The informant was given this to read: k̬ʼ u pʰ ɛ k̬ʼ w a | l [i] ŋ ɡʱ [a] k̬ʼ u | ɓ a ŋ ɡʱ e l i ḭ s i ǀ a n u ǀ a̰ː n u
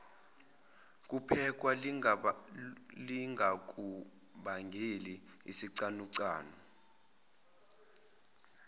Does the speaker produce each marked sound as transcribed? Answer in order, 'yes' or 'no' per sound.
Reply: yes, yes

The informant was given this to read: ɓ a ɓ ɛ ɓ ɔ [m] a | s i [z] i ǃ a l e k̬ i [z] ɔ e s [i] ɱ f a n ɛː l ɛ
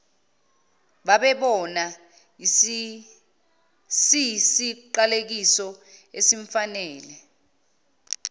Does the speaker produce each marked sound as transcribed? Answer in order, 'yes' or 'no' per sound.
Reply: no, no, no, yes

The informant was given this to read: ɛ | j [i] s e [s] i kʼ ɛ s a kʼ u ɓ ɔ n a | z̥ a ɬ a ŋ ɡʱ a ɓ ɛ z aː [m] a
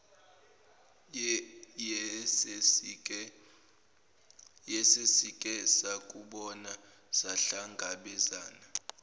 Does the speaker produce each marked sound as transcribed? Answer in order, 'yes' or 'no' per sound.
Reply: no, yes, no

